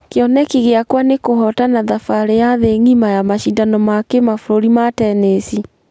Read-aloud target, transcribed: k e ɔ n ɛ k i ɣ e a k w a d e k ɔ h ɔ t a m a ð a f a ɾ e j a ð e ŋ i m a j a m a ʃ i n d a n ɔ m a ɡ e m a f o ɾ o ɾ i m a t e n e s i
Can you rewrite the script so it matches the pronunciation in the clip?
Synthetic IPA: k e ɔ n ɛ k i ɣ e a k w a n e k o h ɔ t a n a ð a f a ɾ e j a ð e ŋ i m a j a m a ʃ i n d a n ɔ m a k e m a f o ɾ o ɾ i m a t ɛ n e s i